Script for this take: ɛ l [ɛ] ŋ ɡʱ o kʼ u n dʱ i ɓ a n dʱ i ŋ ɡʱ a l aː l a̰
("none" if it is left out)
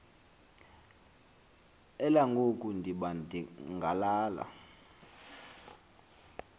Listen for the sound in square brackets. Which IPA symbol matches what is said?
a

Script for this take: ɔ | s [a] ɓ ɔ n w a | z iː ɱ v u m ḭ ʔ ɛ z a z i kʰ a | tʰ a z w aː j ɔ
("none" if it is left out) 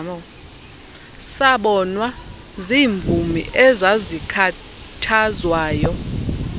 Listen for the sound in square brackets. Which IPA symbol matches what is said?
a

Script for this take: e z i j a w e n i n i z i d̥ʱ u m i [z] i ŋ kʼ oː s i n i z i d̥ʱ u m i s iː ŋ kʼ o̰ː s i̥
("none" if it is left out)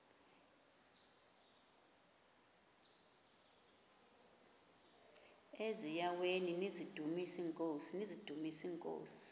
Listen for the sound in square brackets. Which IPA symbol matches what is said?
s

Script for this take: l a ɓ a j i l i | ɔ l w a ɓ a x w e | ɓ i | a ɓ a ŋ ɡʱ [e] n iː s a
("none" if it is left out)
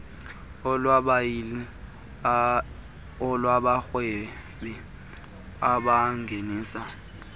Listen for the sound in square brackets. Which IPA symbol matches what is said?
e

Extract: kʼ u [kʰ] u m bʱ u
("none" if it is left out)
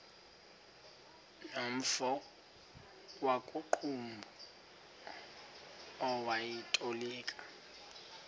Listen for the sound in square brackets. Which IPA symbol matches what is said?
ǃʰ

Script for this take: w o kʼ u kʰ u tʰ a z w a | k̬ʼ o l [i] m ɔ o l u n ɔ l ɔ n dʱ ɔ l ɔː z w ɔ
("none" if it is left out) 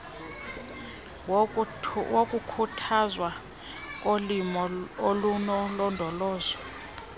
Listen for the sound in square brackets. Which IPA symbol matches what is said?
i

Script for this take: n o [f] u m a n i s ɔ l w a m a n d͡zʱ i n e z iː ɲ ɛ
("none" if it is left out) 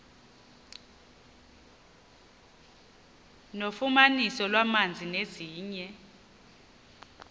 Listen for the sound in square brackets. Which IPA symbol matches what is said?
f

